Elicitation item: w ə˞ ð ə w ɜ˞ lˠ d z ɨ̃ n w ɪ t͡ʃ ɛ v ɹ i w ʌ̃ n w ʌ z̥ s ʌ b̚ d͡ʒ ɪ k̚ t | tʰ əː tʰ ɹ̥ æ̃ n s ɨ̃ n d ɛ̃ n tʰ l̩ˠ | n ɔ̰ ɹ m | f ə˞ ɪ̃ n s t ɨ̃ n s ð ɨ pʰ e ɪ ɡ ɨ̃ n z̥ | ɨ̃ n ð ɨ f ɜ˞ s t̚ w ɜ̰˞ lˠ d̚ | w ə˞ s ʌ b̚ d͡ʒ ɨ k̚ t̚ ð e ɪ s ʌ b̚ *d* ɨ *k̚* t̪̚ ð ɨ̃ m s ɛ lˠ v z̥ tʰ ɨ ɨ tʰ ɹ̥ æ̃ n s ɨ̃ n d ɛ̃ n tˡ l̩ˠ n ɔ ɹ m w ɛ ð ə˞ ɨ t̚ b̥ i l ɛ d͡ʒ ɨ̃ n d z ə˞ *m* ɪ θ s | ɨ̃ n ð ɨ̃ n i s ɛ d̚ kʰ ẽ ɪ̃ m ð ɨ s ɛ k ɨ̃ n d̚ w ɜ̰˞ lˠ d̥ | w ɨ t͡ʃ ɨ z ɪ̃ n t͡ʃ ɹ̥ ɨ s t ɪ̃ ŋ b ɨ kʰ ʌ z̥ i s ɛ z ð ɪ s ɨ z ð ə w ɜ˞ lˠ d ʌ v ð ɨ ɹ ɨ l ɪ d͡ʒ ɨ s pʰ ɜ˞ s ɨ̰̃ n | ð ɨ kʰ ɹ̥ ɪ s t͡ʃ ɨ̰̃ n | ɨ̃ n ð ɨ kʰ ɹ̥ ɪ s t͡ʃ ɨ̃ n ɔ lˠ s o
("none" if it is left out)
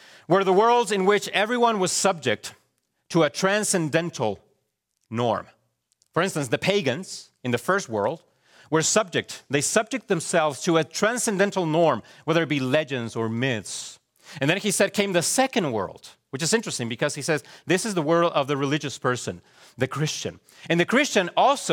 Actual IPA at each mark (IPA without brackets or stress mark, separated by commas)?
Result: d͡ʒ, k̚, m